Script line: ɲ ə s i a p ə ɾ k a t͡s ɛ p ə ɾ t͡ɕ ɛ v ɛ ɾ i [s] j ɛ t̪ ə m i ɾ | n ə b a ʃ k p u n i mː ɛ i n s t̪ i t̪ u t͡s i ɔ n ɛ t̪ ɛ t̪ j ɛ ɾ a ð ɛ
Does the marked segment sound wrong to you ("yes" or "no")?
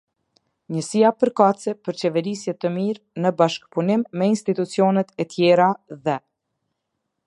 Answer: no